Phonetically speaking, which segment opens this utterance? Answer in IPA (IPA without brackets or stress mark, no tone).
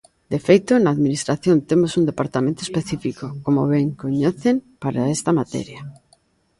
d̪